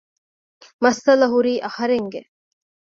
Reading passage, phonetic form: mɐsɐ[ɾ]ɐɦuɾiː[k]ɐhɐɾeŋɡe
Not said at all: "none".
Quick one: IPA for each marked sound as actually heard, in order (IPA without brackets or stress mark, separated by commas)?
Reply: l, ʔ